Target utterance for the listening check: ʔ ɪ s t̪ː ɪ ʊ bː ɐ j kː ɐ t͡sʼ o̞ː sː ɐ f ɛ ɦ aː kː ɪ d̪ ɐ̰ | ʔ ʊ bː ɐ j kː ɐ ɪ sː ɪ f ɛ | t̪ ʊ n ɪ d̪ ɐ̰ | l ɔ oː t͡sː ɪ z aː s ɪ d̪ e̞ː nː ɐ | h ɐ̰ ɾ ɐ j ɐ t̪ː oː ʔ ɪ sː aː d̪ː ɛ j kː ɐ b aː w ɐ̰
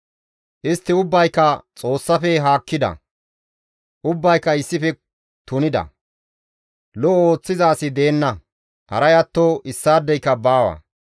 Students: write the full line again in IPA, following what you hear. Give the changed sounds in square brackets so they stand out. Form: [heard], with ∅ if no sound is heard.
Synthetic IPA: ʔ ɪ s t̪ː ɪ ʊ bː ɐ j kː ɐ t͡sʼ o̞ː sː ɐ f ɛ ɦ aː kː ɪ d̪ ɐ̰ | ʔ ʊ bː ɐ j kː ɐ ɪ sː ɪ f ɛ | t̪ ʊ n ɪ d̪ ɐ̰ | l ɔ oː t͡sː ɪ z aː s ɪ d̪ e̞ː nː ɐ | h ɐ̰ ɾ ɐ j ɐ t̪ː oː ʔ ɪ sː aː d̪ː ɛ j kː ɐ b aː w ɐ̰